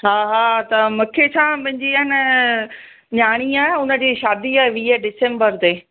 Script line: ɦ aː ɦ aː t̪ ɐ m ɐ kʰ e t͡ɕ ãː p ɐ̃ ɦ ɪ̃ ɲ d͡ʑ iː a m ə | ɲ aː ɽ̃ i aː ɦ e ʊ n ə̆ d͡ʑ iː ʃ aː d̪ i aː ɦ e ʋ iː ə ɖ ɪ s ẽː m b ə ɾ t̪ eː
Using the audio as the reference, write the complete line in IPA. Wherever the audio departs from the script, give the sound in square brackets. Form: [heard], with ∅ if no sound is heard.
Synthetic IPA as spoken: ɦ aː ɦ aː t̪ ɐ m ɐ kʰ e [t͡ɕʰ] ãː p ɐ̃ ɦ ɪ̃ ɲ d͡ʑ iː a [n] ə | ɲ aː ɽ̃ i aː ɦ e ʊ n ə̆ d͡ʑ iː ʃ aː d̪ i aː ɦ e ʋ iː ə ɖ ɪ s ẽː m b ə ɾ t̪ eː